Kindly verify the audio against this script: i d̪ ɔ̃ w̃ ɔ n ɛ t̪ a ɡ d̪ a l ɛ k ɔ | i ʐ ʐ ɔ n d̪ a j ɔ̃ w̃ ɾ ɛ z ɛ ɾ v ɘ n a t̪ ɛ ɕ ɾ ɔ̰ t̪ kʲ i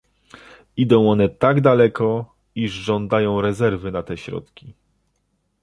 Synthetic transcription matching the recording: i d̪ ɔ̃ w̃ ɔ n ɛ t̪ a ɡ d̪ a l ɛ k ɔ | i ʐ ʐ ɔ n d̪ a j ɔ̃ w̃ ɾ ɛ z ɛ ɾ v ɘ n a t̪ ɛ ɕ ɾ ɔ̰ t̪ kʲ i